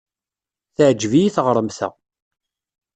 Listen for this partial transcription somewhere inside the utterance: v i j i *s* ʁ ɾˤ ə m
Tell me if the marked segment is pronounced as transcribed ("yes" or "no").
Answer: no